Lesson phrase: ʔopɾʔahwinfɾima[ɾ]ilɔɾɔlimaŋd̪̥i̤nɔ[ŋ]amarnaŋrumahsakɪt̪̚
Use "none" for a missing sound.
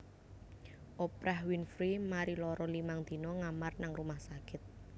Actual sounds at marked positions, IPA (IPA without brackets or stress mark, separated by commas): ɾ, ŋ